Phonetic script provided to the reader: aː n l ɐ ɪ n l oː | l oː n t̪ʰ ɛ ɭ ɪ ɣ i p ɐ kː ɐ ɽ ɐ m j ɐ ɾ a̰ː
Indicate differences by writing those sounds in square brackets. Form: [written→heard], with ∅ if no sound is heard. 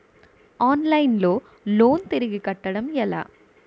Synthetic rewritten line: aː n l ɐ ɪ n l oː | l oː n [t̪ʰ→t̪] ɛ [ɭ→ɾ] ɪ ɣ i [p→k] ɐ [kː→ʈː] ɐ ɽ ɐ m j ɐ [ɾ→l] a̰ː